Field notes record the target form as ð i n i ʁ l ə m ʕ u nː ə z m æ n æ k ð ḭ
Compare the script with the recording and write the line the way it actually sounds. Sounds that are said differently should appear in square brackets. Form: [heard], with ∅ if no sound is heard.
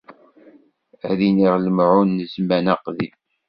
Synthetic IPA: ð i n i ʁ l ə m ʕ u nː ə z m æ n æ [q] ð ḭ